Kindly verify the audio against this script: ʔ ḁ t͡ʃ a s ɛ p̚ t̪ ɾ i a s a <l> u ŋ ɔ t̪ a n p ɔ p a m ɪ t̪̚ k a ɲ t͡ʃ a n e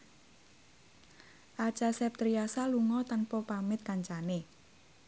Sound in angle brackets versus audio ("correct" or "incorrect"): correct